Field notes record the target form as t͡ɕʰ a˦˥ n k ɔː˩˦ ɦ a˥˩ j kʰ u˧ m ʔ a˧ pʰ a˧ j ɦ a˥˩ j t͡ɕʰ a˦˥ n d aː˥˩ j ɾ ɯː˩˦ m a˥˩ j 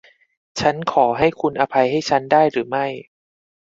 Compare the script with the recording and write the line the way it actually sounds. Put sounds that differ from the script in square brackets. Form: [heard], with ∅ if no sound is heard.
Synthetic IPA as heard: t͡ɕʰ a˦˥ n [kʰ] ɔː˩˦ ɦ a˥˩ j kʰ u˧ [n] ʔ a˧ pʰ a˧ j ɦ a˥˩ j t͡ɕʰ a˦˥ n d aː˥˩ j ɾ ɯː˩˦ m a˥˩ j